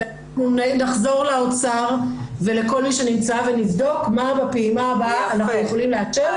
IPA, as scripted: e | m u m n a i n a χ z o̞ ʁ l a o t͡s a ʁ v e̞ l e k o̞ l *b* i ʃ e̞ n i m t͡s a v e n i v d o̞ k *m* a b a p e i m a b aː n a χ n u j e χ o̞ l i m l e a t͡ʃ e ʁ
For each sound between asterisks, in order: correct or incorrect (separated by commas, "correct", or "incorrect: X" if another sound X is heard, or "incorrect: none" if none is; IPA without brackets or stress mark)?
incorrect: m, correct